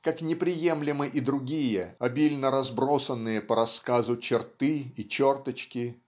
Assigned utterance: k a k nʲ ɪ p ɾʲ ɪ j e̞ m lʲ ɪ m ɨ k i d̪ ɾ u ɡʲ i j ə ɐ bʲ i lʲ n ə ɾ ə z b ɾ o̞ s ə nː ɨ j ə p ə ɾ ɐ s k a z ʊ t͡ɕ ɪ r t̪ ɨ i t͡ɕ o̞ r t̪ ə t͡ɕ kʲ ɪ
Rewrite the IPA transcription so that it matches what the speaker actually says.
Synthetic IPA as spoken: k a k nʲ ɪ p ɾʲ ɪ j e̞ m lʲ ɪ m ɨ ʔ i d̪ ɾ ʊ ɡʲ i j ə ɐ bʲ i lʲ n ə ɾ ɐ z b ɾ o̞ s ə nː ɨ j ə p ə ɾ ɐ s k a z ʊ t͡ɕ ɪ r t̪ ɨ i t͡ɕ o̞ r t̪ ə t͡ɕ kʲ ɪ

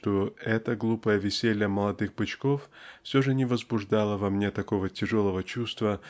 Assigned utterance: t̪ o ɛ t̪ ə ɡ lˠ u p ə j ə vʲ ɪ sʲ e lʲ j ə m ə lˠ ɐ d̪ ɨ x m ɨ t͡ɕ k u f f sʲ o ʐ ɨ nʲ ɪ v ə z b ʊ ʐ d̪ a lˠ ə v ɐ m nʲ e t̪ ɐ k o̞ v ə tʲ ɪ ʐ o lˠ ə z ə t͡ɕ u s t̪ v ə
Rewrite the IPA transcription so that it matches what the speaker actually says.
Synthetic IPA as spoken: t̪ o ɛ t̪ ə ɡ lˠ u p ə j ə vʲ ɪ sʲ e lʲ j ə m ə lˠ ɐ d̪ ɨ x b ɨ t͡ɕ k o f f sʲ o ʐ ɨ nʲ ɪ v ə z b ʊ ʐ d̪ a lˠ ə v ɐ m nʲ e t̪ ɐ k o̞ v ə tʲ ɪ ʐ o lˠ ə v ə t͡ɕ u s t̪ v ə

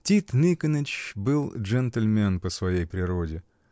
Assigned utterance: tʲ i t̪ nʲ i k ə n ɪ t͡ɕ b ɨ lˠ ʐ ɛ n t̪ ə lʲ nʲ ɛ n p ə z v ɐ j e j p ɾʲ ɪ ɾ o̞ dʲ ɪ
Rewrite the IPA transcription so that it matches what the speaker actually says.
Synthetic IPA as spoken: tʲ i t̪ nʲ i k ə n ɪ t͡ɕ b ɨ lˠ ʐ ɛ n t̪ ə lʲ mʲ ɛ n p ə s v ɐ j e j p ɾʲ ɪ ɾ o̞ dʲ ɪ

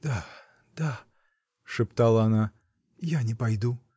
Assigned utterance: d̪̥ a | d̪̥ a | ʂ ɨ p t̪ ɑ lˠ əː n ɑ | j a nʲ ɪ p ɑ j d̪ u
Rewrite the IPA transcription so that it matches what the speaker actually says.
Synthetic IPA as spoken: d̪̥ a | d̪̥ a | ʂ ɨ p t̪ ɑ lˠ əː n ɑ | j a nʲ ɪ p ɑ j d̪ u

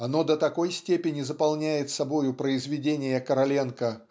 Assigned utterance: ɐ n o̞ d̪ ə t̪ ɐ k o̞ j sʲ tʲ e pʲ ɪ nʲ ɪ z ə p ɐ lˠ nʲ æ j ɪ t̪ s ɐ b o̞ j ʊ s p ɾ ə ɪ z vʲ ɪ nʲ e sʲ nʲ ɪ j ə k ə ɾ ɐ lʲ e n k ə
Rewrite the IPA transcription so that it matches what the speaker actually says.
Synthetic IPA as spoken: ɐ n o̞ d̪ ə t̪ ɐ k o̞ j sʲ tʲ e pʲ ɪ nʲ ɪ z ə p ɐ lˠ nʲ æ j ɪ t̪ s ɐ b o̞ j ʊ p ɾ ə ɪ z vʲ ɪ dʲ e nʲ ɪ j ə k ə ɾ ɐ lʲ e n k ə

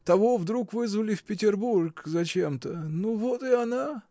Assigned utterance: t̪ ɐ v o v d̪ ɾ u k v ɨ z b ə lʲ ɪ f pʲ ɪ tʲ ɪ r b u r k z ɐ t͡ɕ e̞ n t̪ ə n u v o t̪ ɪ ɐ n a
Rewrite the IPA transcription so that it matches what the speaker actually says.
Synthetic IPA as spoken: t̪ ɐ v o v d̪ ɾ u k v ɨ z v ə lʲ ɪ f pʲ ɪ tʲ ɪ r b u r k z ɐ t͡ɕ e̞ m t̪ ə n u v o t̪ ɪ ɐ n a

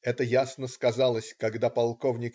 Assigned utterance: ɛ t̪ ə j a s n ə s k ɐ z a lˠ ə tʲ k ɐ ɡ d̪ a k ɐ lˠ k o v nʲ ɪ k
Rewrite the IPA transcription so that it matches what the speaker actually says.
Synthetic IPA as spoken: ɛ t̪ ə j a s n ə s k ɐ z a lˠ ə sʲ k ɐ ɡ d̪ a p ɐ lˠ k o v nʲ ɪ k

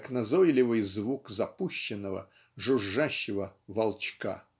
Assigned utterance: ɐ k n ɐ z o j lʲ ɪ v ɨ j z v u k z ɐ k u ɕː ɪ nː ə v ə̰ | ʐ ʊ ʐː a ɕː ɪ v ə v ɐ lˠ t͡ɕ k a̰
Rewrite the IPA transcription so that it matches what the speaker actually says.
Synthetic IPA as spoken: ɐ k n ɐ z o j lʲ ɪ v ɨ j z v u k z ɐ p u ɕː ɪ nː ə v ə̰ | ʐ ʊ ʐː a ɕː ɪ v ə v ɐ lˠ t͡ɕ k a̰

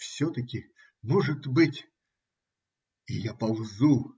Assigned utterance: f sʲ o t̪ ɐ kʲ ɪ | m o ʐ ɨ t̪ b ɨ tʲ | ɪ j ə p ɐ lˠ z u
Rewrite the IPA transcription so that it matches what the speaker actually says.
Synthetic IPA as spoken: f sʲ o t̪ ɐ kʲ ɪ | m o ʐ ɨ t̪ b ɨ tʲ | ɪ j a p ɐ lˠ z u

